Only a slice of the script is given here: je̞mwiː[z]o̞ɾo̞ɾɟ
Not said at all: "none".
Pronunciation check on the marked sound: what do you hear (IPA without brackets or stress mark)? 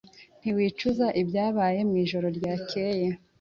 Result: ʒ